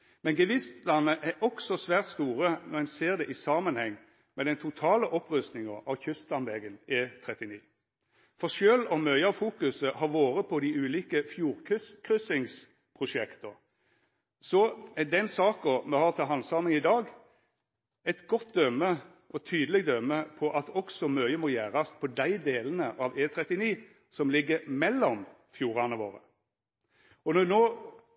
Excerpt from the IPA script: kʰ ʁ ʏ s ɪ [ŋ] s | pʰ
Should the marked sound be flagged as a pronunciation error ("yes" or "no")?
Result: no